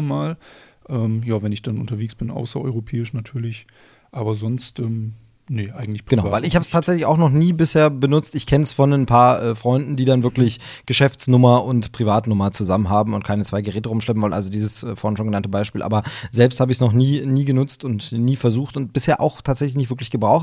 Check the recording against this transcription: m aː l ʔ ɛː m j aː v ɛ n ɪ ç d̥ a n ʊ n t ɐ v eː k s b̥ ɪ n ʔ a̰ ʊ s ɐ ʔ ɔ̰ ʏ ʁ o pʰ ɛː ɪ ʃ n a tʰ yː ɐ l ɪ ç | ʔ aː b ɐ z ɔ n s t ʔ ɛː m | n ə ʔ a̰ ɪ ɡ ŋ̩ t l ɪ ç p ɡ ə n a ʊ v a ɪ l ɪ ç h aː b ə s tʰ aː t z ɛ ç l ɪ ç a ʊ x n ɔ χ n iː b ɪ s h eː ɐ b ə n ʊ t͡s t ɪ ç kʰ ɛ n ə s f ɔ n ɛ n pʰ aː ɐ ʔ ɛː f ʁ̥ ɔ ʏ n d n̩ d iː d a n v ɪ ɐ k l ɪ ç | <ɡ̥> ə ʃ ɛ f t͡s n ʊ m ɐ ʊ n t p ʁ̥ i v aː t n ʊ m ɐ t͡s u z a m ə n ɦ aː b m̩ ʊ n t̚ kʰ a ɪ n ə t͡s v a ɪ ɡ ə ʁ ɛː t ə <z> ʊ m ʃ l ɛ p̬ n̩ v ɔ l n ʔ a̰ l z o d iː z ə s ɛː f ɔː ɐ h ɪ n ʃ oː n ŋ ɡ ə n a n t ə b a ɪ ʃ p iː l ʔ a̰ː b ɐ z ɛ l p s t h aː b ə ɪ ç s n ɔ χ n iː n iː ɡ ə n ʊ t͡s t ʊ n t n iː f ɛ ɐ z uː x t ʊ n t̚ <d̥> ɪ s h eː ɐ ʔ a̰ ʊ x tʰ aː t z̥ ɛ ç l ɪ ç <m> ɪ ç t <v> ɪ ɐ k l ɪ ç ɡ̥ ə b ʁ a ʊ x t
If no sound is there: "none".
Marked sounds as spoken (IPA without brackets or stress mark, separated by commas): ɡ̥, ʁ, b̥, n, v